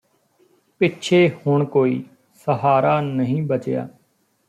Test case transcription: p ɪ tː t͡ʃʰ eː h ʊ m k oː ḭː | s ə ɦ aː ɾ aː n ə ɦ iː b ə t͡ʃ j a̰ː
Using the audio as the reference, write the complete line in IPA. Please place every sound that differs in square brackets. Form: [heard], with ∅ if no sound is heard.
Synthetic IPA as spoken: p ɪ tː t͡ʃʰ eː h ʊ [ɳ] k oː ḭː | s ə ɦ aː ɾ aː n ə ɦ [ĩː] b ə t͡ʃ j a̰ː